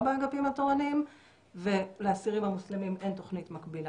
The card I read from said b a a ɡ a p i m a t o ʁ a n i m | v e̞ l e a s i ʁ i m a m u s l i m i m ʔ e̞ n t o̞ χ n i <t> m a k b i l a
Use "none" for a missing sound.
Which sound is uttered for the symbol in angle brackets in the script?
t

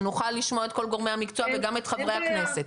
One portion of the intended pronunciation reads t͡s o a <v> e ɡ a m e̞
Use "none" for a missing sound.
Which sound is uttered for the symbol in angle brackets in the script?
v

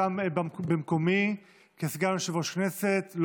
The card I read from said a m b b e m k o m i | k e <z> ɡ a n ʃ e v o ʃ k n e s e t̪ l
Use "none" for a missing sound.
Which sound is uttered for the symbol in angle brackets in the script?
s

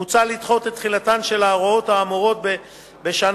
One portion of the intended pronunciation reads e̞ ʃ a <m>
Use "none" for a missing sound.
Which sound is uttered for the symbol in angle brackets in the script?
n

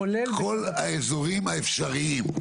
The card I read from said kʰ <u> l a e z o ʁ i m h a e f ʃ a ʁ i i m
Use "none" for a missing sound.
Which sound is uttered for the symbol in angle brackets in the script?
o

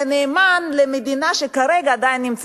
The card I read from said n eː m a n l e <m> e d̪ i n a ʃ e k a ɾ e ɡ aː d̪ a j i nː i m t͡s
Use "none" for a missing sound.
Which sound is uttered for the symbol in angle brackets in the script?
m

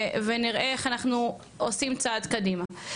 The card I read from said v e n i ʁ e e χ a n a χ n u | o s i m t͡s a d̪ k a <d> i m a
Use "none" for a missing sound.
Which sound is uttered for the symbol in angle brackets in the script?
d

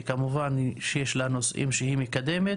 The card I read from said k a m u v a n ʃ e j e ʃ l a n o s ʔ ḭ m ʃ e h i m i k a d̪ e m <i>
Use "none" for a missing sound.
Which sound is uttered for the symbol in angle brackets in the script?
e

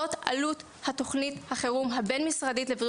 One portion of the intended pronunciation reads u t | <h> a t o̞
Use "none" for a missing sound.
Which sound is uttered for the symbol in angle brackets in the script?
h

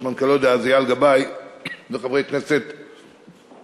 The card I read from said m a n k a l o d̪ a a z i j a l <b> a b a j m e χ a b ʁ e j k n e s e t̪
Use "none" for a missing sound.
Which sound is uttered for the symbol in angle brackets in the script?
ɡ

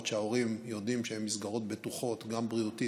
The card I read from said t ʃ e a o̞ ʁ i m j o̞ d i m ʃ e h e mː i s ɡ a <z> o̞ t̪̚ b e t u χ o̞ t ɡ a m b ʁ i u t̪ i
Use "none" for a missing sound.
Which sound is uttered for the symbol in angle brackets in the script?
ʁ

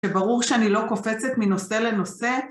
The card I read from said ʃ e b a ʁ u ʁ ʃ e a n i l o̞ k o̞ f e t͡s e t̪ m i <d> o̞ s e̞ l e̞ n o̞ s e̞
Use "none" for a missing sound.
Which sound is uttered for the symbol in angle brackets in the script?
n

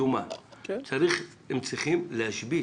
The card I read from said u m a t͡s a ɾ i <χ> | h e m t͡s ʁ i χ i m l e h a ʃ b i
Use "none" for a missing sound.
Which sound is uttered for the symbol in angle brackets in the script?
χ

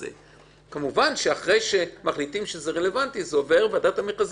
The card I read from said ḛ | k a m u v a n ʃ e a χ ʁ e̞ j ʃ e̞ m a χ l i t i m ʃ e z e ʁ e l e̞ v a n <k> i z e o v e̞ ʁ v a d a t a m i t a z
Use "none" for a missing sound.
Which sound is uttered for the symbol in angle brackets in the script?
t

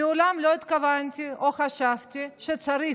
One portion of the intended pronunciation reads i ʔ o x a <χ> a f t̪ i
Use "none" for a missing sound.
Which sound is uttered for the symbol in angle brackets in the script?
ʃ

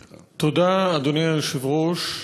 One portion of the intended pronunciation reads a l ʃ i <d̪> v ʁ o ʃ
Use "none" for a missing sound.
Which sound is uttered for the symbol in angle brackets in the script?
none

